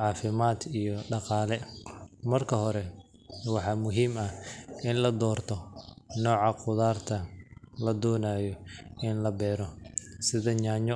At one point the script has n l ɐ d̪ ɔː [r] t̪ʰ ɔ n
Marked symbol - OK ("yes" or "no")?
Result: yes